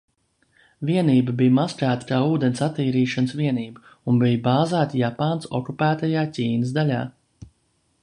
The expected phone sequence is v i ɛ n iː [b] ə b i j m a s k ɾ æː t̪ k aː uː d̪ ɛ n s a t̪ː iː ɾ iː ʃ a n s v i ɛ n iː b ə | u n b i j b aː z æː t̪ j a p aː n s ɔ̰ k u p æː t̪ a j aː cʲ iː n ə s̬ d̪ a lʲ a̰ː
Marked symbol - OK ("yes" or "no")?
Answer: yes